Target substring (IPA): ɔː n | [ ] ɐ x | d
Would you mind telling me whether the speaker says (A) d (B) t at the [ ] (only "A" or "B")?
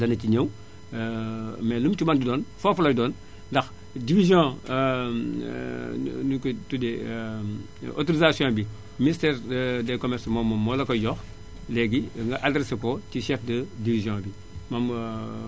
A